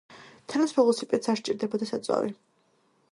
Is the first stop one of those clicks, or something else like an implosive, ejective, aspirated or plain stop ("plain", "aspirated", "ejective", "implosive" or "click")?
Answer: aspirated